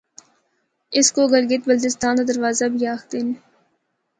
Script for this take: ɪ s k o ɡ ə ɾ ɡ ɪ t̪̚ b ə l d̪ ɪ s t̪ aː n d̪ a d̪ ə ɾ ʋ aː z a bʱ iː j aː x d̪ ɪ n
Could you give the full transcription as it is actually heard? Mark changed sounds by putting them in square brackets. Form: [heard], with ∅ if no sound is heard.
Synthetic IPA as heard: ɪ s k o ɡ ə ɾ ɡ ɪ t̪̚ b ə l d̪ ɪ s t̪ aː n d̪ a d̪ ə ɾ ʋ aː z a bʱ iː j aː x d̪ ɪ n